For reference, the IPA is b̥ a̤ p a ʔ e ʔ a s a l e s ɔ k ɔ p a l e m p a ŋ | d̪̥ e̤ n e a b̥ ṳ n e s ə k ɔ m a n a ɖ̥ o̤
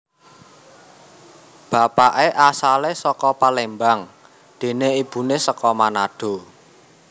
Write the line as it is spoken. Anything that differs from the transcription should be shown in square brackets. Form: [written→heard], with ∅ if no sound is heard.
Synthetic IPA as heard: b̥ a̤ p a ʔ e ʔ a s a l e s ɔ k ɔ p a l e m [p→b] a ŋ | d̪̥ e̤ n e [a→i] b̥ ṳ n e s ə k ɔ m a n a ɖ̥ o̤